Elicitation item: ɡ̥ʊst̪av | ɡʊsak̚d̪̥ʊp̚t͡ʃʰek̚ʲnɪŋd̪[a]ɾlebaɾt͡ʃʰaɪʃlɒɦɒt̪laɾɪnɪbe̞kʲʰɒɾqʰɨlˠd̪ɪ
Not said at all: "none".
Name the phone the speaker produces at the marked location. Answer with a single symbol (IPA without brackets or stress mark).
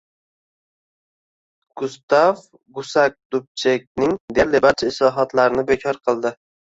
e